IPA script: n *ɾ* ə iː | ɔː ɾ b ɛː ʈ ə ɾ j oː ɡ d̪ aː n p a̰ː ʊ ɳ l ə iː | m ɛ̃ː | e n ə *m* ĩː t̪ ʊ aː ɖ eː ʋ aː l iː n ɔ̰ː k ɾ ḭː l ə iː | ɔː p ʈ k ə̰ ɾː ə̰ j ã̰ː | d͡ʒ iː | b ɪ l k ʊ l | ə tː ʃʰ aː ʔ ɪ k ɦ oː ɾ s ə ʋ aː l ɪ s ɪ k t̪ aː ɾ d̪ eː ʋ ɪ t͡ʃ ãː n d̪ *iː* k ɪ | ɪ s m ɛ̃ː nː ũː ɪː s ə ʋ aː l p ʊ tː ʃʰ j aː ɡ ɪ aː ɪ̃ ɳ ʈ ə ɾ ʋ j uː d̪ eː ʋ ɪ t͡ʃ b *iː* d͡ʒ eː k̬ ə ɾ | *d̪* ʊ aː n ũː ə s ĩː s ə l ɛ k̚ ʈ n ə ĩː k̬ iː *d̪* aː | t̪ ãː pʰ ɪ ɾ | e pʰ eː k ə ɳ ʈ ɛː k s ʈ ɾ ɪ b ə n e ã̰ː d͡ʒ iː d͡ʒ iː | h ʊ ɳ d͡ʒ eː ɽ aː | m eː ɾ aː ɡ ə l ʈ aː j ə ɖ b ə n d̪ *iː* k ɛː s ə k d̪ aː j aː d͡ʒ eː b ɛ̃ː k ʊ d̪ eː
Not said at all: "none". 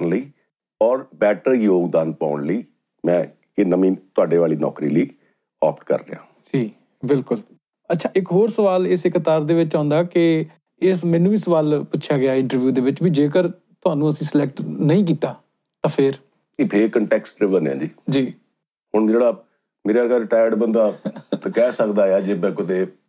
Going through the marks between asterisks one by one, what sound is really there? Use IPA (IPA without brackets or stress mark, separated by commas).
l, m, aː, iː, t̪, t̪, aː